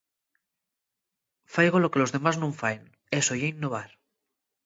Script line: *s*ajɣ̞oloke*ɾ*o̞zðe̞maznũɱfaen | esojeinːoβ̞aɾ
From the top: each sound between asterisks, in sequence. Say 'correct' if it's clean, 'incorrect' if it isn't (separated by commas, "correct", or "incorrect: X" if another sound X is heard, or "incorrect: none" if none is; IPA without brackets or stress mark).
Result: incorrect: f, incorrect: l